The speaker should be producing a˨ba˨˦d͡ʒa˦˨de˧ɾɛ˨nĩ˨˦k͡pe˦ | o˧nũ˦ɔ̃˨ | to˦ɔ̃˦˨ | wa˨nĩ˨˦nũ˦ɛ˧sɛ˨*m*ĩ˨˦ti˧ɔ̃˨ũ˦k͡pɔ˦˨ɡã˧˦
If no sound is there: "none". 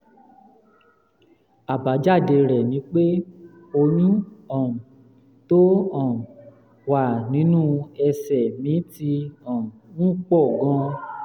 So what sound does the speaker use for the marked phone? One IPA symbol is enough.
m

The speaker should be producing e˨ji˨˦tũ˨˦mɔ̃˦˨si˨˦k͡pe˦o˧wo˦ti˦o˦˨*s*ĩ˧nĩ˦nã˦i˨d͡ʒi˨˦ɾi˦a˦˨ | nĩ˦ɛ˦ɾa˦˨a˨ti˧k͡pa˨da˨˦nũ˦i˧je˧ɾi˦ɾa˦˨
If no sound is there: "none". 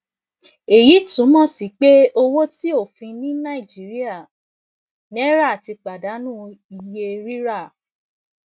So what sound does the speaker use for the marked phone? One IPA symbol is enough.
f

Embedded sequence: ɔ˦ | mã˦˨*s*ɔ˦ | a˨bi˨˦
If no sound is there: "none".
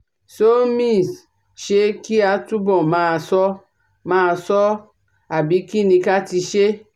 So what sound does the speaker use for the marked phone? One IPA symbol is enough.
s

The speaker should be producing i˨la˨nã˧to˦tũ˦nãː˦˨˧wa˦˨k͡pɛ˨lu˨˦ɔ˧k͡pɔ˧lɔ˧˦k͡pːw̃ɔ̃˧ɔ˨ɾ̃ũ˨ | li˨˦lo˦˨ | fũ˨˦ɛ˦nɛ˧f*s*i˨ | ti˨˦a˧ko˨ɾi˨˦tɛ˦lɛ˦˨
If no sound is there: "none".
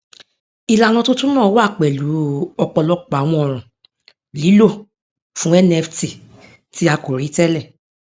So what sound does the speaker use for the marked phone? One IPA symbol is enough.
t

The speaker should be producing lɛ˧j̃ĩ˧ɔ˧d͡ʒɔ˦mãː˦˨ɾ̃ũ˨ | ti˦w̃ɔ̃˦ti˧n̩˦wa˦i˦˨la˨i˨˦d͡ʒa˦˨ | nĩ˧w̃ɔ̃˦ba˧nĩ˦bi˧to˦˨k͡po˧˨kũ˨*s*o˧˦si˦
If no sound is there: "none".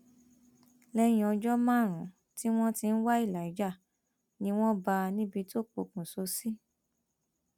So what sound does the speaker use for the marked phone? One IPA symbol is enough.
s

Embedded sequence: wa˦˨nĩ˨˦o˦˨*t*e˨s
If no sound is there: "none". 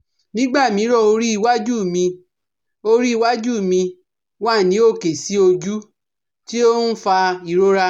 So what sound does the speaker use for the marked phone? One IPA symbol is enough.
k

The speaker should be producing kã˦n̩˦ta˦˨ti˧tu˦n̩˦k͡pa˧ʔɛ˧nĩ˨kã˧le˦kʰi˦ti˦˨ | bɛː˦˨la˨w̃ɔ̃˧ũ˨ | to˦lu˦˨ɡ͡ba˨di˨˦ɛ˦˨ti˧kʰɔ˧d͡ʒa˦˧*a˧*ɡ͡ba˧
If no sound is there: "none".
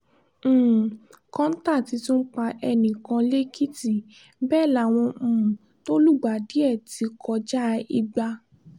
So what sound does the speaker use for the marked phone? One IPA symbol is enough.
i˧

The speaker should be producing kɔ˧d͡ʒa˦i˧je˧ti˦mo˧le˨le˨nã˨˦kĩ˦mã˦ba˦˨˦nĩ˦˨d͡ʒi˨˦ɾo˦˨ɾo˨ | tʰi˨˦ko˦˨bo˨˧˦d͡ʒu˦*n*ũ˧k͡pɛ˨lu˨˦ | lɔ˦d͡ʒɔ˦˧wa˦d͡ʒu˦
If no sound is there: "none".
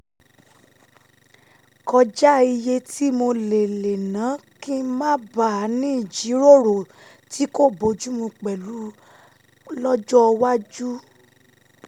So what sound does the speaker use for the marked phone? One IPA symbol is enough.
m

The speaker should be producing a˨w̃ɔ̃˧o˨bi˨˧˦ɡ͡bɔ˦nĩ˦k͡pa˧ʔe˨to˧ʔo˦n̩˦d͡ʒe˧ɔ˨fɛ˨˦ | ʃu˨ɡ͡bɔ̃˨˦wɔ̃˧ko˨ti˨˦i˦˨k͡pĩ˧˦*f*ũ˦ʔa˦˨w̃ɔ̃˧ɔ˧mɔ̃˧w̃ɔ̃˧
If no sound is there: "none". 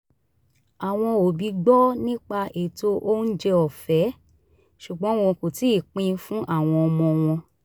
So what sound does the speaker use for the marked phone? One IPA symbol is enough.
f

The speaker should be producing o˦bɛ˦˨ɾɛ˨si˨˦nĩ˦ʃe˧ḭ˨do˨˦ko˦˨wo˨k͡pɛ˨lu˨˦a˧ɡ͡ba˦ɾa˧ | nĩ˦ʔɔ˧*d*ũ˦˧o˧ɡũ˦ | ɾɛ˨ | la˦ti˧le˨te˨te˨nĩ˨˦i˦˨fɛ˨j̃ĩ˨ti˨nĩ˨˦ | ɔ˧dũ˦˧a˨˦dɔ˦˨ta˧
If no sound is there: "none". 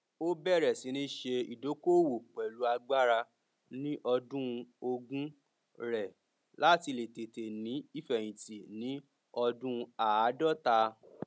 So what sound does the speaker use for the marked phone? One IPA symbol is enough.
d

